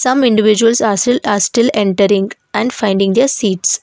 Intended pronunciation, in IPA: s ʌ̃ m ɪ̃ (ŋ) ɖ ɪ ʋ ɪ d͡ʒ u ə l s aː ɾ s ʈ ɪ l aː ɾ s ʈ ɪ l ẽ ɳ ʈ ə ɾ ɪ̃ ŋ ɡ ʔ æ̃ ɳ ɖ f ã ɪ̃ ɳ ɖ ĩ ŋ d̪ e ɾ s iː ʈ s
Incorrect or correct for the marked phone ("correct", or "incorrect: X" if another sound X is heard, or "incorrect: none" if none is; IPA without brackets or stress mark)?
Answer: incorrect: ɳ